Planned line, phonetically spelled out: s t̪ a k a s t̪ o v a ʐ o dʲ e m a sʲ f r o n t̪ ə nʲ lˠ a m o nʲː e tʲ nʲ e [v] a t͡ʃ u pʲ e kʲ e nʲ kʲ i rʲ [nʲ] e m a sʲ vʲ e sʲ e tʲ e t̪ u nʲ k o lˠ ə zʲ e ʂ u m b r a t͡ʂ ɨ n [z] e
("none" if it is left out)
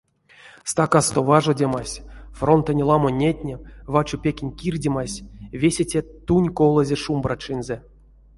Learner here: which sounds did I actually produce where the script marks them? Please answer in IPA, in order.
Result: v, dʲ, z

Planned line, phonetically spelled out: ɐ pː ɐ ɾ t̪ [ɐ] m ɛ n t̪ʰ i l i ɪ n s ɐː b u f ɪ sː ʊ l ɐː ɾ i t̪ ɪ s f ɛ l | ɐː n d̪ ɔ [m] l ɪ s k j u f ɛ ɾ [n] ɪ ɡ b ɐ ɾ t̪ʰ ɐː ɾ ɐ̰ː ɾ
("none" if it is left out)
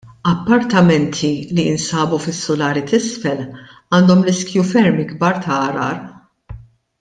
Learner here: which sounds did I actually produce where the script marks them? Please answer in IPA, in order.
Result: ɐ, m, m

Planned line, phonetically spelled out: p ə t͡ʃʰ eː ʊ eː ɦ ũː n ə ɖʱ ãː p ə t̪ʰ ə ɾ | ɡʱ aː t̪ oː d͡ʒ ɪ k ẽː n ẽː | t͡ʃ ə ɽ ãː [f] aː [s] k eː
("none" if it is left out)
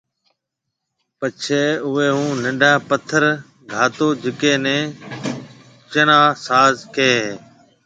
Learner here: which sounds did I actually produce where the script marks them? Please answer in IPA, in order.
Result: s, z

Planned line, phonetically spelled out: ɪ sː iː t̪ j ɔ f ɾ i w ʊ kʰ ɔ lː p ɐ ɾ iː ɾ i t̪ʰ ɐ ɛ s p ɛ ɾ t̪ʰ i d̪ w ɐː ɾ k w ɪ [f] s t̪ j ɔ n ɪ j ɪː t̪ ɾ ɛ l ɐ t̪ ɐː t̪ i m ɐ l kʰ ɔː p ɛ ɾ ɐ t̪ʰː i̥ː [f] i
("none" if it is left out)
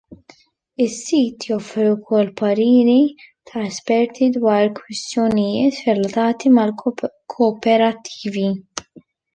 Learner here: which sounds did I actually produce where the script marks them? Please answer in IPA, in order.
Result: none, v

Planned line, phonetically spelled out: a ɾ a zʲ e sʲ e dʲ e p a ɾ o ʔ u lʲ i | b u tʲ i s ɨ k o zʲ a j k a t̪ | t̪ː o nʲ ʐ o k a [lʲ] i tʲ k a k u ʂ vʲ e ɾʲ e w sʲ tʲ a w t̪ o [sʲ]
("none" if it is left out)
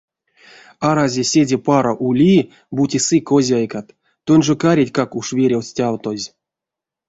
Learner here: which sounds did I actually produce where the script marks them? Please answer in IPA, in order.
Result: ɾʲ, zʲ

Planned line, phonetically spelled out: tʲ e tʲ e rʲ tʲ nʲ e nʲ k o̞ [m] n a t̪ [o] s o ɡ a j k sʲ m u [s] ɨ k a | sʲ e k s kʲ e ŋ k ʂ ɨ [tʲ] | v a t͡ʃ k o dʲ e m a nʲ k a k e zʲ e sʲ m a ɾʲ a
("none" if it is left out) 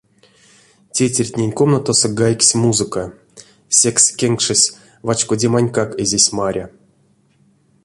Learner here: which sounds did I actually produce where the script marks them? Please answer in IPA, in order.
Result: m, o, z, sʲ

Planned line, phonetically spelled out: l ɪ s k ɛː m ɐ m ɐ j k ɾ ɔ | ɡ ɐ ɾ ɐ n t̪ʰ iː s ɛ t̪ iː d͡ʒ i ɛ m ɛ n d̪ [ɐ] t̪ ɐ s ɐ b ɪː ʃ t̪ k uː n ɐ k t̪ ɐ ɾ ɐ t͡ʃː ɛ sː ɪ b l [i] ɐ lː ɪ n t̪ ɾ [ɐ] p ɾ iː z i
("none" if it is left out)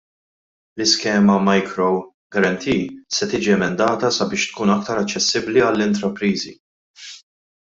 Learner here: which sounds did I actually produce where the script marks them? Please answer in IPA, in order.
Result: ɐː, i, ɐ

